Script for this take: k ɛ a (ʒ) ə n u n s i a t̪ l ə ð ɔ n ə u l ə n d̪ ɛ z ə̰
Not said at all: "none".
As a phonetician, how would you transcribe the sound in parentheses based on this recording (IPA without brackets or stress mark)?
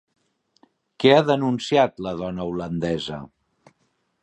ð